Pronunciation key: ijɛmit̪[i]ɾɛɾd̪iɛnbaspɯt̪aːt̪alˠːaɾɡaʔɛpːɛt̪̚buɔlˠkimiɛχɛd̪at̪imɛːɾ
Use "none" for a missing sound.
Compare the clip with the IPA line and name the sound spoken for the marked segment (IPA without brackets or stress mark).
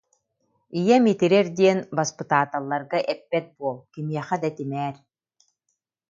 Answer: i